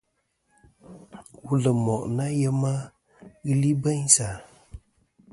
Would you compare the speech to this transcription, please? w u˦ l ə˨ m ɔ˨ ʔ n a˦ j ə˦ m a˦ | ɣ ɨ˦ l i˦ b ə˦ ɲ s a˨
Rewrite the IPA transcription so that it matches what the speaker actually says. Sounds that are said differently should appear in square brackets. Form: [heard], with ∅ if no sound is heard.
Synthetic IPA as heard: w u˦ l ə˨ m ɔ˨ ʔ n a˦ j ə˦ m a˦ | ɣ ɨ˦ l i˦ b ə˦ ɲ s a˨